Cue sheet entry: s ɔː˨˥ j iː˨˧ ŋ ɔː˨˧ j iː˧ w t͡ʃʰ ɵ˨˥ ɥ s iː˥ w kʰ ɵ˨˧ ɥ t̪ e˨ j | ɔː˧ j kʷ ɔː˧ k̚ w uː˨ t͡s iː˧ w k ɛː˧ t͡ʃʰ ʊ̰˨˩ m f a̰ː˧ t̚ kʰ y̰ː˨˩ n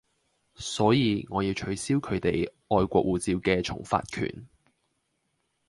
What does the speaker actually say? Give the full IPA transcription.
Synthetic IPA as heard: s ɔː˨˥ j iː˨˧ ŋ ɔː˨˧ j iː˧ w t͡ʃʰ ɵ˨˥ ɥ s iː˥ w kʰ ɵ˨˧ ɥ t̪ e˨ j | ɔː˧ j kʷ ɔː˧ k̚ w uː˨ t͡s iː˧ w k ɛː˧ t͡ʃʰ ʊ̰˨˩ ŋ f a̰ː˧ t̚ kʰ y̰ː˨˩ n